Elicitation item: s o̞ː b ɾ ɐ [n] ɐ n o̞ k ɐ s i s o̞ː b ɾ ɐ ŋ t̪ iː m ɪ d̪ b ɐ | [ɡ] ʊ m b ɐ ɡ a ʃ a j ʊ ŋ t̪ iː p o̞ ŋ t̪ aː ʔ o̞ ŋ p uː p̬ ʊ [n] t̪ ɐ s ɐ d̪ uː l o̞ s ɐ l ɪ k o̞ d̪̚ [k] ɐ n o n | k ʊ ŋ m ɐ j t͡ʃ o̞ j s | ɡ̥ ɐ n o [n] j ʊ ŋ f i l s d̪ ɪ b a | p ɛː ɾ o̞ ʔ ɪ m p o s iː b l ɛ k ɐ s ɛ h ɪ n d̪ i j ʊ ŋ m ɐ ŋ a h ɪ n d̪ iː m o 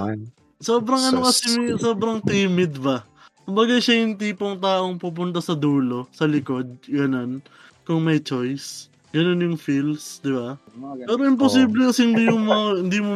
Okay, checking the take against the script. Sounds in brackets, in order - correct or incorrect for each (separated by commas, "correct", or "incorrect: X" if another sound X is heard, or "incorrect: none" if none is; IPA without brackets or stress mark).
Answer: incorrect: ŋ, incorrect: k, correct, incorrect: ɡ, correct